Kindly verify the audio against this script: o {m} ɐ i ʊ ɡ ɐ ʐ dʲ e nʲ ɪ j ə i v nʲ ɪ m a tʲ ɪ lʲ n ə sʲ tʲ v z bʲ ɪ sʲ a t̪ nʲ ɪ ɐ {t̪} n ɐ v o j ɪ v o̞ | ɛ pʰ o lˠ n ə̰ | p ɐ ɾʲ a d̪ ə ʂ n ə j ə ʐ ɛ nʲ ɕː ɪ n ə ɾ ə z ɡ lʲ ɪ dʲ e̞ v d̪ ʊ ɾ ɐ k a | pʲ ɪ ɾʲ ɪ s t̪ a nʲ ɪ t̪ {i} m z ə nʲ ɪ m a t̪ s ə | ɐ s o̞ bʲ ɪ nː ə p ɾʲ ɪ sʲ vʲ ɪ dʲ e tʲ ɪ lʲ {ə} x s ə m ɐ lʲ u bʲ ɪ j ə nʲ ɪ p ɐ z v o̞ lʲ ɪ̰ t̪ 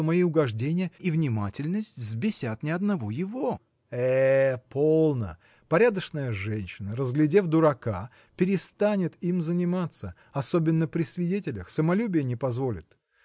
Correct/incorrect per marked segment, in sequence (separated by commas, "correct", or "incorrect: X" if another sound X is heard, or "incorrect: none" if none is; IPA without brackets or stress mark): correct, incorrect: d̪, correct, correct